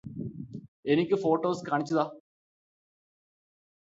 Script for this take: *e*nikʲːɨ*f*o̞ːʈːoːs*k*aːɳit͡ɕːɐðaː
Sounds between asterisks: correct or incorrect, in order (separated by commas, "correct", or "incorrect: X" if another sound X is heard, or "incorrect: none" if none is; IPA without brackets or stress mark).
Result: correct, correct, correct